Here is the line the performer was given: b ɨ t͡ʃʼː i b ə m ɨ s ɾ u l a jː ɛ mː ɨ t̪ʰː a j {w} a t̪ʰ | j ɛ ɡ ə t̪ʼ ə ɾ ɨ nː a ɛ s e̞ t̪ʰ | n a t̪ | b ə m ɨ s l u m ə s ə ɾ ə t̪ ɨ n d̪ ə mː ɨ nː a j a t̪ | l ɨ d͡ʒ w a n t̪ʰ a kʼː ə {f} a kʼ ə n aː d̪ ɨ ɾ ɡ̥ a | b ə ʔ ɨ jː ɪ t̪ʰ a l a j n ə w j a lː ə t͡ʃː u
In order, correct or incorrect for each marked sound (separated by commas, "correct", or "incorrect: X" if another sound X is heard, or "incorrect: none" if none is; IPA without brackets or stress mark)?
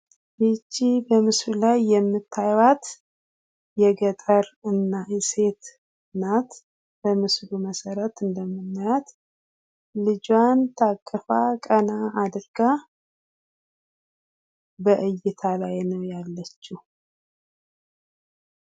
correct, correct